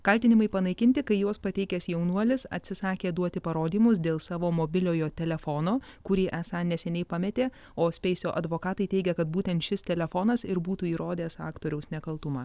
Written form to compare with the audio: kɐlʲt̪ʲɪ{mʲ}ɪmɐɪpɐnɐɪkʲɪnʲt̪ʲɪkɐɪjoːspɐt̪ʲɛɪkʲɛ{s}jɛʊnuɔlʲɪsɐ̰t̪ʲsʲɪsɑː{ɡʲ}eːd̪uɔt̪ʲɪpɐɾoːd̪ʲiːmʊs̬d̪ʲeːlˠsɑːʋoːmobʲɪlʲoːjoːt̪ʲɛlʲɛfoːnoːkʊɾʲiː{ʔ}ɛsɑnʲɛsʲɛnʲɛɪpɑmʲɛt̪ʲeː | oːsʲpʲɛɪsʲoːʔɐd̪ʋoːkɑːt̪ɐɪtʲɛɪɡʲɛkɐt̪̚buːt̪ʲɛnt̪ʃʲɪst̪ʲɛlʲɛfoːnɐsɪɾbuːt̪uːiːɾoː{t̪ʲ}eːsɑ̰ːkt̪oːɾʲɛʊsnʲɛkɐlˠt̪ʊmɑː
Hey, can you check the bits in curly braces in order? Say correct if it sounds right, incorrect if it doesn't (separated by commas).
incorrect, correct, incorrect, correct, incorrect